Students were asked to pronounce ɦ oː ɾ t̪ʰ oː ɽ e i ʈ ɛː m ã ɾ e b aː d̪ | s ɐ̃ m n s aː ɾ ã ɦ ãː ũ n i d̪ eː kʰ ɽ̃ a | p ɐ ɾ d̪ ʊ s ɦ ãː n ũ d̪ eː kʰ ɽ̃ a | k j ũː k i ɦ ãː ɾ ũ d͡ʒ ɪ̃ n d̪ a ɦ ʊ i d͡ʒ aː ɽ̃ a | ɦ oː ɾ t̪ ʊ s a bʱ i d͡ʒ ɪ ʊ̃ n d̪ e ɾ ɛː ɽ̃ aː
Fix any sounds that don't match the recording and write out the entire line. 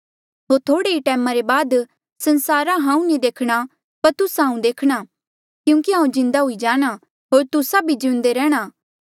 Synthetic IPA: ɦ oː ɾ t̪ʰ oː ɽ e i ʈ ɛː m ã ɾ e b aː d̪ | s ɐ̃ n s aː ɾ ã ɦ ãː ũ n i d̪ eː kʰ ɽ̃ a | p ɐ ɾ t̪ ʊ s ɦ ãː ũ d̪ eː kʰ ɽ̃ a | k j ũː k i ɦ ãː ũ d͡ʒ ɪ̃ n d̪ a ɦ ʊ i d͡ʒ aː ɽ̃ a | ɦ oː ɾ t̪ ʊ s a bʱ i d͡ʒ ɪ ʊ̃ n d̪ e ɾ ɛː ɽ̃ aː